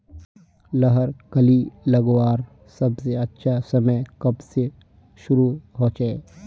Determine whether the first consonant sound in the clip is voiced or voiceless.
voiced